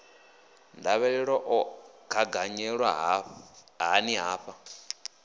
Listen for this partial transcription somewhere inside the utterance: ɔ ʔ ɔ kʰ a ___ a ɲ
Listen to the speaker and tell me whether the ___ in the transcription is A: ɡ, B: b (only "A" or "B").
A